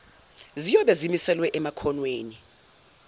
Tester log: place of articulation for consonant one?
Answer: alveolar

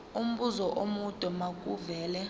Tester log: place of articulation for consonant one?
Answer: labial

